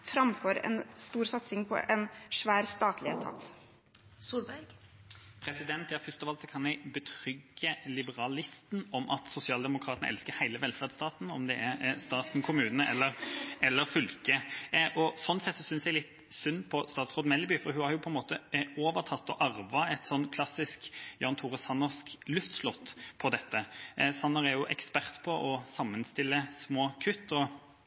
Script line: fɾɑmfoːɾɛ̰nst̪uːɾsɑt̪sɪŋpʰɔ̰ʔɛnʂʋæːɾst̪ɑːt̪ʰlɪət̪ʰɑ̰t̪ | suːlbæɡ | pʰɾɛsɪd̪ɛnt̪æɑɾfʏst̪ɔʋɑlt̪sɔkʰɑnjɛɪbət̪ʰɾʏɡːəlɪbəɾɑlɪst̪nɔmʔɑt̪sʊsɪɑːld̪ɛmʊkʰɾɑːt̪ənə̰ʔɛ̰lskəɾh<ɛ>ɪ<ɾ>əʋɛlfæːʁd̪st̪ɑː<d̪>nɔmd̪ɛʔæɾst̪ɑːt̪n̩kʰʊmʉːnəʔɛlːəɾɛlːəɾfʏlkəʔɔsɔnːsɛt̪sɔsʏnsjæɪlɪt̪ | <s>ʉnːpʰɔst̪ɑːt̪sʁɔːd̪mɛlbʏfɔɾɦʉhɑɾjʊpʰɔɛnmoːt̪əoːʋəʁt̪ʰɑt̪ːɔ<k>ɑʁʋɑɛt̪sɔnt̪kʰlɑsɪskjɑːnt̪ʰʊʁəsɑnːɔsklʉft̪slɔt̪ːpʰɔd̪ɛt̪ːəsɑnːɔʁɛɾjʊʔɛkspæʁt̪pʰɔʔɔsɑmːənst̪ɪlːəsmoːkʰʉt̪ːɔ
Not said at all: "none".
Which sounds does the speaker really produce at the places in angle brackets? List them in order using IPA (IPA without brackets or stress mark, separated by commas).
æ, l, t̪, s, ʔ